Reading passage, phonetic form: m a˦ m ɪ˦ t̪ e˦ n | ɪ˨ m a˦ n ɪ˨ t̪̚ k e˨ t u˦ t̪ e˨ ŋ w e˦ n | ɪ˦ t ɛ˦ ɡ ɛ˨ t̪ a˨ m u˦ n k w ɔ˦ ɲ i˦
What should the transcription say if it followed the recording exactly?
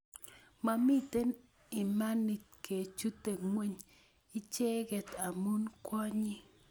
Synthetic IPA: m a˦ m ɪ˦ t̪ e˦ n | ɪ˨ m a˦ n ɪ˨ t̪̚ k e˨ t͡ʃ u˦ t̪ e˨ ŋ w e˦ ɲ | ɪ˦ t͡ʃ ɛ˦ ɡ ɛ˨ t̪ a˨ m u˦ n k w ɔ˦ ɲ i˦